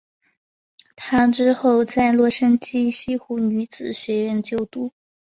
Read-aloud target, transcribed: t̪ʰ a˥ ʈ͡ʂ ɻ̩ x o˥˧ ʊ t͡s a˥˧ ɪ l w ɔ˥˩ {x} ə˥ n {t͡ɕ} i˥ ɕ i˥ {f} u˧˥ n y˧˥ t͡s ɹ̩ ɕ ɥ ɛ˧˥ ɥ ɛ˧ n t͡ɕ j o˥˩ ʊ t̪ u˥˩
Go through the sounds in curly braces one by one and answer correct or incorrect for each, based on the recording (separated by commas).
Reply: incorrect, correct, incorrect